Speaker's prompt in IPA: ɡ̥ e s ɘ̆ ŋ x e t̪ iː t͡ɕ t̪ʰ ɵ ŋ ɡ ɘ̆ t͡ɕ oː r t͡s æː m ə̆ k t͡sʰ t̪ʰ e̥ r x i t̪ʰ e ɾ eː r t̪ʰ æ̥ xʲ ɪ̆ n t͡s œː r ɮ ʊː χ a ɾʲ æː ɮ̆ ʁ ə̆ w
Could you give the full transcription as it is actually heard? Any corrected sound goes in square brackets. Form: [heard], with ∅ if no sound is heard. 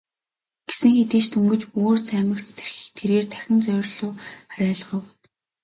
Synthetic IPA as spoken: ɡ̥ e s ɘ̆ ŋ x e t̪ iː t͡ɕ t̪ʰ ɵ ŋ ɡ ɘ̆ t͡ɕ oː r t͡s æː m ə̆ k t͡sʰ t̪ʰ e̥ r x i t̪ʰ e ɾ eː r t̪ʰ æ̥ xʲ ɪ̆ n t͡s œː r ɮ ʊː χ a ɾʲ æː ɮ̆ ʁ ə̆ w